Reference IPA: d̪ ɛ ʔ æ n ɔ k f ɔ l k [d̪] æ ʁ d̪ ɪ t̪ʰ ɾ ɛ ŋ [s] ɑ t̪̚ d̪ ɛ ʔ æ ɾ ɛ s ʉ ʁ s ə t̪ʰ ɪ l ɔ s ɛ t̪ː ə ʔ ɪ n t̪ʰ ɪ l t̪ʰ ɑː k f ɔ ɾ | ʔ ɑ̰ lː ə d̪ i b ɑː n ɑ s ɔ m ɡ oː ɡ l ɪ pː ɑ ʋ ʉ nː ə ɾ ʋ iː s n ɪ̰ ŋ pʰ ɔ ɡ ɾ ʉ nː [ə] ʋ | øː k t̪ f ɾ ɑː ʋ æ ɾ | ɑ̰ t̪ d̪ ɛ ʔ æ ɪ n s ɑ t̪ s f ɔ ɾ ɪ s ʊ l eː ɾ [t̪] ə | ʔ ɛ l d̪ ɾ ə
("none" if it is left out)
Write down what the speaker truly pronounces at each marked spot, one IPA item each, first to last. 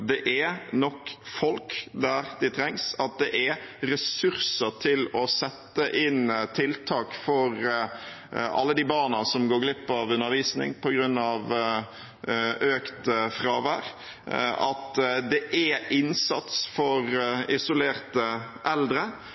d̪, s, ɑ, t̪

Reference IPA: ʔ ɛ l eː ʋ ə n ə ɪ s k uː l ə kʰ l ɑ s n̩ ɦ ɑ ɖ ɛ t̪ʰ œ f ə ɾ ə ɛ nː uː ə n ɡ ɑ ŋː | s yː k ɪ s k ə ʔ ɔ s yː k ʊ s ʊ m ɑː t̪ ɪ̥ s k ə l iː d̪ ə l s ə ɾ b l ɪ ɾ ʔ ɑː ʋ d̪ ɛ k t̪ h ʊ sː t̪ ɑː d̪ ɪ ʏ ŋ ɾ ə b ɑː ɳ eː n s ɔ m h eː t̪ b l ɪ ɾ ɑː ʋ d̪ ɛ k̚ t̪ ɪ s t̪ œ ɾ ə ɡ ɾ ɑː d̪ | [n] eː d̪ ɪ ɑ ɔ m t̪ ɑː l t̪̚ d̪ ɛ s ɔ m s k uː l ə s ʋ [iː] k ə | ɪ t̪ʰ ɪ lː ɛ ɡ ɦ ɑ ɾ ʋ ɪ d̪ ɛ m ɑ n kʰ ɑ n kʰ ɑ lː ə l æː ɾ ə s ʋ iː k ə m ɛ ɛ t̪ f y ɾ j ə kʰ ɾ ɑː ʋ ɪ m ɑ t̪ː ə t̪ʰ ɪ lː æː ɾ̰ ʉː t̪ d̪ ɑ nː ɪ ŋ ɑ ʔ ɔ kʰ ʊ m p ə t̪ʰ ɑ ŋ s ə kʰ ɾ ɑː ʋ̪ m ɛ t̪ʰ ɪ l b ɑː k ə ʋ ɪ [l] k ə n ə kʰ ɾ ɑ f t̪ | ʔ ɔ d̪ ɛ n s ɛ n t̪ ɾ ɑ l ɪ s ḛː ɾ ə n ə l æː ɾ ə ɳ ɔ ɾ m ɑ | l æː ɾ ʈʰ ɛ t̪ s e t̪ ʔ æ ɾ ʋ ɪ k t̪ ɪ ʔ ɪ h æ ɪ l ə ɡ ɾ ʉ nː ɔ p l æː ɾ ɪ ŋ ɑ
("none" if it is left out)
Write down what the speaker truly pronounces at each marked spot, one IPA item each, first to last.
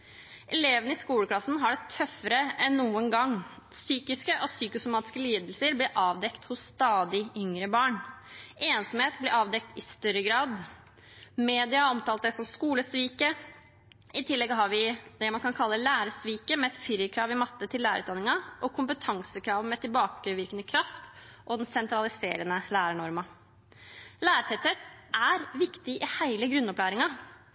m, iː, ɾ

